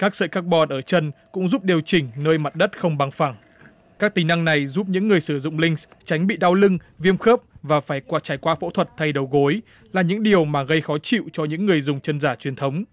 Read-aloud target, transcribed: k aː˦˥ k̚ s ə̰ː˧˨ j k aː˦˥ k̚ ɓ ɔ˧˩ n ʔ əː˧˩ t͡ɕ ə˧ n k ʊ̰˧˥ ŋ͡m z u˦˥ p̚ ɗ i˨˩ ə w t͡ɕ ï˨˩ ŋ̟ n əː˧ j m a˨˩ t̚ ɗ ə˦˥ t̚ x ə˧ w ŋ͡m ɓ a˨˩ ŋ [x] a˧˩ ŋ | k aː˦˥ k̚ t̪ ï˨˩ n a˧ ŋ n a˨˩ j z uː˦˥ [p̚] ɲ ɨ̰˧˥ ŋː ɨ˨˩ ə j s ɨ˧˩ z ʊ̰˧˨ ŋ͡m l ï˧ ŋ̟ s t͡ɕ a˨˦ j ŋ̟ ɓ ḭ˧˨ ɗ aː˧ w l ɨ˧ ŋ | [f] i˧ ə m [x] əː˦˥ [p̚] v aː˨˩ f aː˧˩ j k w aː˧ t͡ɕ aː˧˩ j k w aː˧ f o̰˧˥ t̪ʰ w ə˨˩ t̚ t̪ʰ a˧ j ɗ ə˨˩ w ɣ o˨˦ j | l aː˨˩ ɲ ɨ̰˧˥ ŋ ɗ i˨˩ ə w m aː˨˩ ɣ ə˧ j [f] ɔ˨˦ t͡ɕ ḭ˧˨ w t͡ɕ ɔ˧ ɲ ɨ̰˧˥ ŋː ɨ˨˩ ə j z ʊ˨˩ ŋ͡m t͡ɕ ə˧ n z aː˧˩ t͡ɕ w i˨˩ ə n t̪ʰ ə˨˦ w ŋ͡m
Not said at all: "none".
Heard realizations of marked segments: f, p̚, v, x, p̚, x

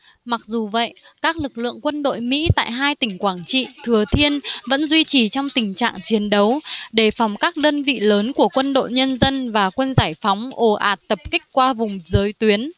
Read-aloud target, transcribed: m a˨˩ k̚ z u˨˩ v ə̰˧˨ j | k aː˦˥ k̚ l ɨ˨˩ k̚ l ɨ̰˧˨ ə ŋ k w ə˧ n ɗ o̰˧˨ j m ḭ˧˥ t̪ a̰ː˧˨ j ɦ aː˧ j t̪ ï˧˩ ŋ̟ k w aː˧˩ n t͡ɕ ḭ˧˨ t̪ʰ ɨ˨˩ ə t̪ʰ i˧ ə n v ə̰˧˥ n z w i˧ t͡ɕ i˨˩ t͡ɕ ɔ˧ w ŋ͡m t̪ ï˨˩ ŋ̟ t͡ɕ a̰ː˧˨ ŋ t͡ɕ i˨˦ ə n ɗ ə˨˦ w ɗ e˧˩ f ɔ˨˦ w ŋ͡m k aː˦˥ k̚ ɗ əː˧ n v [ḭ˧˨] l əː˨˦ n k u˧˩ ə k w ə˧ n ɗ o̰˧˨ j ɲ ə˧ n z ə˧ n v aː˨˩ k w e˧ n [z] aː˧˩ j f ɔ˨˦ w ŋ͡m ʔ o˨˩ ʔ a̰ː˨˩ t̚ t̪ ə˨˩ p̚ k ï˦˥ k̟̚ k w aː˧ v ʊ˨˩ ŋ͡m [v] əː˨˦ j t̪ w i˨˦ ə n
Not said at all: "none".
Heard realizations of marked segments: ḭ˧˨, z, z

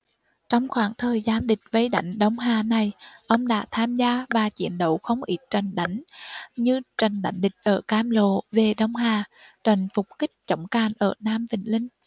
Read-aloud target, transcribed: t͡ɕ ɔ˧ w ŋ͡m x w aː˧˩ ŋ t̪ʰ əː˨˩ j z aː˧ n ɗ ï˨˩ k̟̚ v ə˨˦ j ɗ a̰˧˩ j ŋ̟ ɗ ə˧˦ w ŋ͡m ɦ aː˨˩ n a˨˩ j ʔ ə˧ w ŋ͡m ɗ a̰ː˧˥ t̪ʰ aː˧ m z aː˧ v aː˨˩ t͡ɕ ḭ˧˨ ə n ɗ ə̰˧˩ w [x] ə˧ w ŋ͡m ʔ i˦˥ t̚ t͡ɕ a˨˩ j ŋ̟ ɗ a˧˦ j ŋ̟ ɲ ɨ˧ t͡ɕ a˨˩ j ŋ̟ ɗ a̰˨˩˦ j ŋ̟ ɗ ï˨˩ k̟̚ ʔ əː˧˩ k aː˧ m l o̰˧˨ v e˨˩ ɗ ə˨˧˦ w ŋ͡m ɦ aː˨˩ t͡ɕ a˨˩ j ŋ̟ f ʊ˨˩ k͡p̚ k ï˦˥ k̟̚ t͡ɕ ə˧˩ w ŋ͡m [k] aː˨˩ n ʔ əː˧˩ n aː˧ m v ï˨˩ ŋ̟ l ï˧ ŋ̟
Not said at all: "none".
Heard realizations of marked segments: x, k

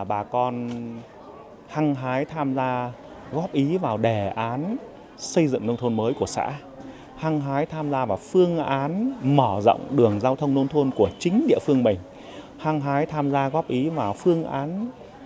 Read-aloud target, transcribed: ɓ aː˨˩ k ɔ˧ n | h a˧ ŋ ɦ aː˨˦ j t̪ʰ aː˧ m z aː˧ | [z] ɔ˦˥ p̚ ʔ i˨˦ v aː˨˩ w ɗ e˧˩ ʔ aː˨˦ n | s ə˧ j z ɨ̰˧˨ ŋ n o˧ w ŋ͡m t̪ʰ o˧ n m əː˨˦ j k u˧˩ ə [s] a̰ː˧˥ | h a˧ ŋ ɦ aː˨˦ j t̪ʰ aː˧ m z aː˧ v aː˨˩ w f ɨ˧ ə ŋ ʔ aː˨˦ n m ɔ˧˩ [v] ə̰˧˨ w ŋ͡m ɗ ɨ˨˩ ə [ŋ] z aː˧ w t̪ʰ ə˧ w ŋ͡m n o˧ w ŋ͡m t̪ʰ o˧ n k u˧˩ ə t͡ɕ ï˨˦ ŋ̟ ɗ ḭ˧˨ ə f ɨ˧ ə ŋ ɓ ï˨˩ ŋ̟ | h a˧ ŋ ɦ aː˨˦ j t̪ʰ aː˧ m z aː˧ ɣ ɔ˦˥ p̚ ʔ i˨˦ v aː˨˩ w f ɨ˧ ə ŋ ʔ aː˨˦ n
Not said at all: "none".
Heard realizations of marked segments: ɣ, s, z, ŋ

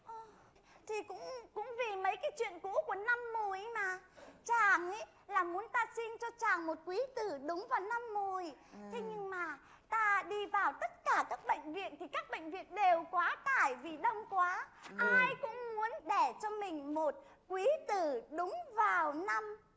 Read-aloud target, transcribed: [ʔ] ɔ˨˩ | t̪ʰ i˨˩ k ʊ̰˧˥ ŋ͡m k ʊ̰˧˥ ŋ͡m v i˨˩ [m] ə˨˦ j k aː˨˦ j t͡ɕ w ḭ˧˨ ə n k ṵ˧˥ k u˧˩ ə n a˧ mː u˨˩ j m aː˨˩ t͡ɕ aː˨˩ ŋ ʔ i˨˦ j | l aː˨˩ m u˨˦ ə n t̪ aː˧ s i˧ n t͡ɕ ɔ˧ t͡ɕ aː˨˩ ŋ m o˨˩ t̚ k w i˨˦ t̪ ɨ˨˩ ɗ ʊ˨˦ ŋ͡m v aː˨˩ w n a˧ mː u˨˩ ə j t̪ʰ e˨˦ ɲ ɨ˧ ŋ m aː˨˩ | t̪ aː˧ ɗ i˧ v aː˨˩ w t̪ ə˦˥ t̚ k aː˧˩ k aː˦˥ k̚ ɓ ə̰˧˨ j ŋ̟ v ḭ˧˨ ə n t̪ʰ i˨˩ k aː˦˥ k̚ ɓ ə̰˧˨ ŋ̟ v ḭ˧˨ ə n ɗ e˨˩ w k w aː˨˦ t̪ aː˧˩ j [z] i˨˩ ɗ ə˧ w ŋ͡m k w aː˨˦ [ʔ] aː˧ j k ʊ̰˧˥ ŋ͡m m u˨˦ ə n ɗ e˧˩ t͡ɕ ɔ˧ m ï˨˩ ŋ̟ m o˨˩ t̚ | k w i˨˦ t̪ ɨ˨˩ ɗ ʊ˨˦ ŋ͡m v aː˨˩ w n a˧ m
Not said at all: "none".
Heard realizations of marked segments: ʔ, m, v, ʔ

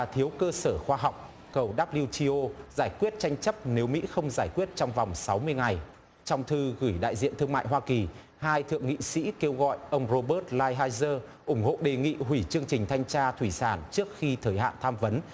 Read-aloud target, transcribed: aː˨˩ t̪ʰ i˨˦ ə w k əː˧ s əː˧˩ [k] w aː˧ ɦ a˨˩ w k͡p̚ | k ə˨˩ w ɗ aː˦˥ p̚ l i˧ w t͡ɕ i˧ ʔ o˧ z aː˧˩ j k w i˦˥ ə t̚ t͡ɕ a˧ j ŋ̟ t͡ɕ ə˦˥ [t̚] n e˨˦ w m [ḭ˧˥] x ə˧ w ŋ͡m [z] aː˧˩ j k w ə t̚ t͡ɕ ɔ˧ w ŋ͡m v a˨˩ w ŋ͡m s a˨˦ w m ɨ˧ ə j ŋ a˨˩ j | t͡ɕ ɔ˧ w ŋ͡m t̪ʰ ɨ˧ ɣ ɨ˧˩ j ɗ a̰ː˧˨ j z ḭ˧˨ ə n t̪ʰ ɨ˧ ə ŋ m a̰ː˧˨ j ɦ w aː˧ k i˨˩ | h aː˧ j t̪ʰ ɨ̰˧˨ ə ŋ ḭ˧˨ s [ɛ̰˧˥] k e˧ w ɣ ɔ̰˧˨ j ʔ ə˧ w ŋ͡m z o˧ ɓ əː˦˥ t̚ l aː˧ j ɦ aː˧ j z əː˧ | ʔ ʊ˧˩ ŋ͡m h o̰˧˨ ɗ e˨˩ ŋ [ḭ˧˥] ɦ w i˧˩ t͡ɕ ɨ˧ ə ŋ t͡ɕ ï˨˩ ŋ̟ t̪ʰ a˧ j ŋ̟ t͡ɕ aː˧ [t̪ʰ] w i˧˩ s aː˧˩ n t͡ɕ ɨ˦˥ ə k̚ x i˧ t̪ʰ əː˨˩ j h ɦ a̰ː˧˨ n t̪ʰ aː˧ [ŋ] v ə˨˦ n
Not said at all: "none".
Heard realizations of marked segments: x, p̚, ḭ˧˥, z, ḭ˧˥, ḭ˧˨, t̪ʰ, m

